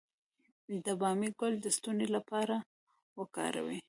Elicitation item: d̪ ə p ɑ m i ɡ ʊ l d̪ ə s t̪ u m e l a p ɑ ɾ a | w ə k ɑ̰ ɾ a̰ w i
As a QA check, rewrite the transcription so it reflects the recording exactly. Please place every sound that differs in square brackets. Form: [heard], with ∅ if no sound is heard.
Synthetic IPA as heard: d̪ ə [b] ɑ m i ɡ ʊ l d̪ ə s t̪ u [n] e l a p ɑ ɾ a | w ə k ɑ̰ ɾ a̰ w i